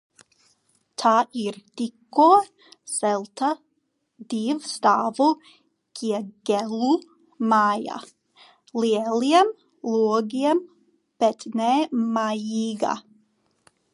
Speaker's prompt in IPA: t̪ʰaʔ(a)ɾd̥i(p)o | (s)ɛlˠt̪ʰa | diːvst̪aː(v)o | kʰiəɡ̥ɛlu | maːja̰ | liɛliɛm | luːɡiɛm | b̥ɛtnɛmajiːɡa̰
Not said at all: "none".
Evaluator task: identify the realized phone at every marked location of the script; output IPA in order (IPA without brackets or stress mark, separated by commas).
i, k, s, v